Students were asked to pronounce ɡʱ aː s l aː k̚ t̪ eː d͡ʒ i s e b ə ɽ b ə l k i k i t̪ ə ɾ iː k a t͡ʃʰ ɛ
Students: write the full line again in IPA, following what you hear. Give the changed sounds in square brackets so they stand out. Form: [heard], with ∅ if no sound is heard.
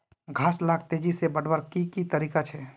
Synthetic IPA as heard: ɡʱ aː s l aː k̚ t̪ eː d͡ʒ i s e b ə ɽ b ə [ɾ] k i k i t̪ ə ɾ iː k a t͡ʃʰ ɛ